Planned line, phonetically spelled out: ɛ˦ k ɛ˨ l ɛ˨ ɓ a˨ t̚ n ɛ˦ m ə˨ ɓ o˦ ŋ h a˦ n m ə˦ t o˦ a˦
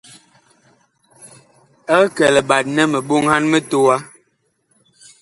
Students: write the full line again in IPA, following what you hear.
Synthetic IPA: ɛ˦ k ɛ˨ l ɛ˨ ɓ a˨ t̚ n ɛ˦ m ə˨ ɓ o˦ ŋ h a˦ n m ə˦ t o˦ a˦